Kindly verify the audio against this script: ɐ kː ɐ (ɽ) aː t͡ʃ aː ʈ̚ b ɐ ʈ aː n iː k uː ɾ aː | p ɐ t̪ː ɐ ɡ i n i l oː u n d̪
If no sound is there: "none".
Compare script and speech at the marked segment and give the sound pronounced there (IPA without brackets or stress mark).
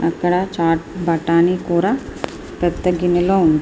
ɽ